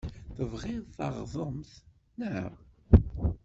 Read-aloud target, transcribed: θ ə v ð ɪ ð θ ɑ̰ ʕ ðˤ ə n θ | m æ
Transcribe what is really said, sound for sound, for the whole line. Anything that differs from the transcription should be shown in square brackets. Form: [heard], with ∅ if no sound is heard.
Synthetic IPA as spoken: θ ə v [ʁ] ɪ ð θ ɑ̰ [ʁ] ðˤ ə [m] θ | [n] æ